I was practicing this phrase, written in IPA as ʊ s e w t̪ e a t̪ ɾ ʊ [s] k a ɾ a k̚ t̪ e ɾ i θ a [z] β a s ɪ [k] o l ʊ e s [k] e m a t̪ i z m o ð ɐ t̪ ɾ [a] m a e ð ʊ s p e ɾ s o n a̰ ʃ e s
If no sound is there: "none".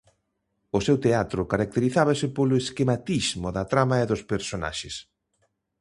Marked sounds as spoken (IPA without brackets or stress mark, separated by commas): none, none, p, k, a